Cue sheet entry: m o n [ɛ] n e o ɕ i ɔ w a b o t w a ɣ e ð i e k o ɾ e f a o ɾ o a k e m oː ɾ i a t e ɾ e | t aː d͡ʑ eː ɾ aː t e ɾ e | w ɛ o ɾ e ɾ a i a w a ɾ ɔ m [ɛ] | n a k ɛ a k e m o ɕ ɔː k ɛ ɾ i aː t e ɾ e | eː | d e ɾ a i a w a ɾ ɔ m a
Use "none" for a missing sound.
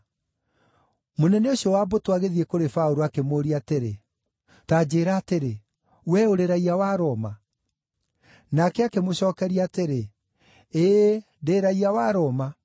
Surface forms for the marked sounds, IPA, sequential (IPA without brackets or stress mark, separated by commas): ɛ, a